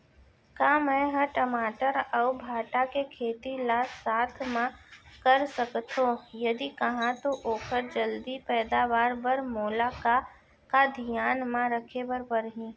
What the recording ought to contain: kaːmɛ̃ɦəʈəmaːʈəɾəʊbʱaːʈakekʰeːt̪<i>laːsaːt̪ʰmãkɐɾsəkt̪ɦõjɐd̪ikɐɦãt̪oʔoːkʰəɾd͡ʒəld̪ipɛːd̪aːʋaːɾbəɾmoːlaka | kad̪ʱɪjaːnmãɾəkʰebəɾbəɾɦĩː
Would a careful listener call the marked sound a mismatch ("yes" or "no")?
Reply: no